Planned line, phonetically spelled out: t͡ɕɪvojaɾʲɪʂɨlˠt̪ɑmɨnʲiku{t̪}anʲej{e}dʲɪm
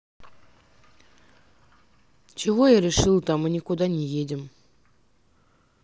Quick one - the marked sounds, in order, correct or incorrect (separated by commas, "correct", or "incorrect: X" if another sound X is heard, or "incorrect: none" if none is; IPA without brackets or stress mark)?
incorrect: d̪, correct